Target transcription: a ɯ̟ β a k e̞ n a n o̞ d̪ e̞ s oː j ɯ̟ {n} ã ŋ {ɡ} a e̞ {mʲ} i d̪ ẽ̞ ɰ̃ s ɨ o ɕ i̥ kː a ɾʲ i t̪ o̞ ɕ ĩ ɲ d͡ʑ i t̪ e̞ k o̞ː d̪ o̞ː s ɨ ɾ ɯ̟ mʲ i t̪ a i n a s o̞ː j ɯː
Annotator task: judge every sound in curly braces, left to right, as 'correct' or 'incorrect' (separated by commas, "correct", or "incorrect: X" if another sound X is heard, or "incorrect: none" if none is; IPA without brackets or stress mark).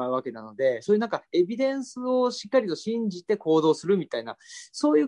correct, incorrect: k, incorrect: bʲ